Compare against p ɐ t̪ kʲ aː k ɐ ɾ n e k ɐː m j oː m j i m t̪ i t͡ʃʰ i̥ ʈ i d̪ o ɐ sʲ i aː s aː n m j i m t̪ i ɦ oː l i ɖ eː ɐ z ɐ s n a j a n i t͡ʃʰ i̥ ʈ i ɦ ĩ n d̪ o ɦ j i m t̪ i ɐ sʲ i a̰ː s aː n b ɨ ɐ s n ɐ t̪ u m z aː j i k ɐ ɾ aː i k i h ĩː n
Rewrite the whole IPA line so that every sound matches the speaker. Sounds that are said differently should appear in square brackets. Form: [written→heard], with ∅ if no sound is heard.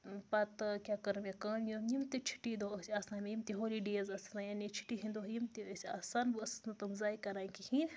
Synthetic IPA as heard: p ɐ t̪ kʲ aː k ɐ ɾ [n→m] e k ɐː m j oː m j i m t̪ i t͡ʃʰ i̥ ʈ i d̪ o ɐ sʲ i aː s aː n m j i m t̪ i ɦ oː l i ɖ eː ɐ z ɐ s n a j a n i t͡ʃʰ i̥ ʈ i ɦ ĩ n d̪ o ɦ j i m t̪ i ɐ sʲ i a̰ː s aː n b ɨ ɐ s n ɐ t̪ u m z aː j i k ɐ ɾ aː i k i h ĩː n